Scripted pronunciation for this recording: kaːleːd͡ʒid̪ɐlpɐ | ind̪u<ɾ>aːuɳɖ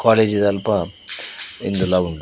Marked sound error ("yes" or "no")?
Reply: yes